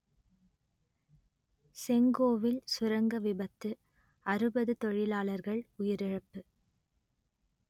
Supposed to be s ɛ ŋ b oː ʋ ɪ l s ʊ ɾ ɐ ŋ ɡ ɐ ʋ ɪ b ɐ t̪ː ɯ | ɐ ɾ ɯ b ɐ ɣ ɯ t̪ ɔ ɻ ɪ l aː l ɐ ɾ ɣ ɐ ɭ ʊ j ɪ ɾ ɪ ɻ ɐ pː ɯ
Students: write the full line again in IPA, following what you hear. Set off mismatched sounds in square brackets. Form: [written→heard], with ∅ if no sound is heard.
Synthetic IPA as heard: s ɛ ŋ [b→ɡ] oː ʋ ɪ l s ʊ ɾ ɐ ŋ ɡ ɐ ʋ ɪ b ɐ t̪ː ɯ | ɐ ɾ ɯ b ɐ [ɣ→ð] ɯ t̪ ɔ ɻ ɪ l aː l ɐ ɾ ɣ ɐ ɭ ʊ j ɪ ɾ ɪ ɻ ɐ pː ɯ